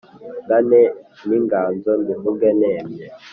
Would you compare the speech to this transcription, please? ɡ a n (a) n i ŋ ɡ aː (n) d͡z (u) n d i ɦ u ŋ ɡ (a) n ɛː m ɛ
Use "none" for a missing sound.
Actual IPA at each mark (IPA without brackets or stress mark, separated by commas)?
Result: ɛ, n, ɔ, ɛ